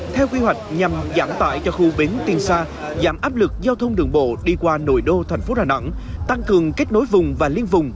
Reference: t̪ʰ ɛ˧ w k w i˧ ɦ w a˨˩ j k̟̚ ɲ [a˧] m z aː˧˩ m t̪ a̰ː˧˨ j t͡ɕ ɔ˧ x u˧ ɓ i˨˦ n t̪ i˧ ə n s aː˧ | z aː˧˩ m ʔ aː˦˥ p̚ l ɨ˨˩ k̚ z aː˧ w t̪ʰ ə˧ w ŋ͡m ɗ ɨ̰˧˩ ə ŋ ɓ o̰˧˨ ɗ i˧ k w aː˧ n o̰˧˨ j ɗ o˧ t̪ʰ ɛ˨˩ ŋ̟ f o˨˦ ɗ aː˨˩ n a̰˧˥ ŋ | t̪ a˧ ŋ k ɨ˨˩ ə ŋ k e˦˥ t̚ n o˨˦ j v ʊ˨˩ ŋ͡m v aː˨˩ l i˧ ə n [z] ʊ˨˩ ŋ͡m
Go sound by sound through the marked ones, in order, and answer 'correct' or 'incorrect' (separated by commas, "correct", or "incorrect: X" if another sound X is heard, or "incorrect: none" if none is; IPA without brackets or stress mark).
incorrect: a˨˩, incorrect: v